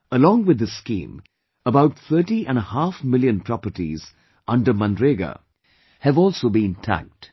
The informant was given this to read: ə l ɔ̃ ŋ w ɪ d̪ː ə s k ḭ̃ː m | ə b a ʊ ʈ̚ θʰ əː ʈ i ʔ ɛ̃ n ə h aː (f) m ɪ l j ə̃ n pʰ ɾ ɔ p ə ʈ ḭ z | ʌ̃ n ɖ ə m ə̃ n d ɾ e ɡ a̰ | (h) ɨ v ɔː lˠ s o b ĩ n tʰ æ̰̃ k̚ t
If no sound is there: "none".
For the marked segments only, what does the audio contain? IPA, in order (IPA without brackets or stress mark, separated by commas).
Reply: f, h